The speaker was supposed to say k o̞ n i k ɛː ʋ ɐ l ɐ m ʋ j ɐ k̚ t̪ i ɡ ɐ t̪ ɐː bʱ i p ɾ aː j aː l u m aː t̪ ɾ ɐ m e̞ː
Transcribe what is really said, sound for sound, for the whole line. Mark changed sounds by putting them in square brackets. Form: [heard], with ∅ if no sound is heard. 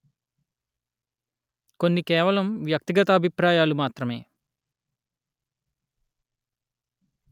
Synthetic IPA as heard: k o̞ [nː] i k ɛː ʋ ɐ l ɐ m ʋ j ɐ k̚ t̪ i ɡ ɐ t̪ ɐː bʱ i p ɾ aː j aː l u m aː t̪ ɾ ɐ m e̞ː